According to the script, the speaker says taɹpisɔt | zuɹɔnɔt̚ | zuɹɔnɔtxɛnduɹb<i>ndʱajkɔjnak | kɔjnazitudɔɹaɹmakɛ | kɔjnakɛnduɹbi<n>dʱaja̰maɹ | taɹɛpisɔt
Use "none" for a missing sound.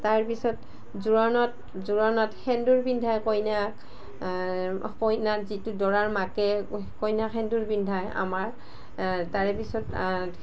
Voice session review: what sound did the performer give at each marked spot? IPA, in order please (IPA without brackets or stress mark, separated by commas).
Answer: i, n